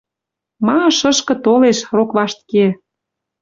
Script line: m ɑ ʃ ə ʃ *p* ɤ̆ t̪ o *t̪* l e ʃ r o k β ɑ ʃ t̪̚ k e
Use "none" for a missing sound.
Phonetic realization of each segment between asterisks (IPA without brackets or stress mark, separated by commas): k, none